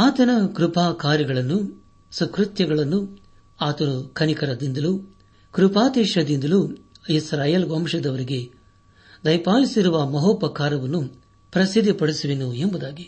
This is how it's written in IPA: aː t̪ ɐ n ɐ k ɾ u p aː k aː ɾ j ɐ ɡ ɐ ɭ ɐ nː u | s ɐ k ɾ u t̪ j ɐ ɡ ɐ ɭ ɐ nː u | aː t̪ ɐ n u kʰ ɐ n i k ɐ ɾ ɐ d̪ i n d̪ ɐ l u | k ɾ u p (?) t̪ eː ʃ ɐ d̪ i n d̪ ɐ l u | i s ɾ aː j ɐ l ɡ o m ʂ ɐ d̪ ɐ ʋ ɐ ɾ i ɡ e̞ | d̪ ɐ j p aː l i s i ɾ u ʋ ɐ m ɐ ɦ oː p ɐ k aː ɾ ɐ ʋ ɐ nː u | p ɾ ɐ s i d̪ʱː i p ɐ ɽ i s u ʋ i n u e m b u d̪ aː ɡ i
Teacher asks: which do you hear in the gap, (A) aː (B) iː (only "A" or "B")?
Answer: A